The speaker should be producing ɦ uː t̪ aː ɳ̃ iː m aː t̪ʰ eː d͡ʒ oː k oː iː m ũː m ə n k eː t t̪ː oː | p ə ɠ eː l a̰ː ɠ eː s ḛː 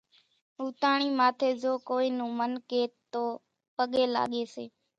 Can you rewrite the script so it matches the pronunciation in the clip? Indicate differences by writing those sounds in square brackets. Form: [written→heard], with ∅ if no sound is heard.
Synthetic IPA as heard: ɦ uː t̪ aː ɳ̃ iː m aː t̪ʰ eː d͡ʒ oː k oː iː [m→n] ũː m ə n k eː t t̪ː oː | p ə ɠ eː l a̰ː ɠ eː s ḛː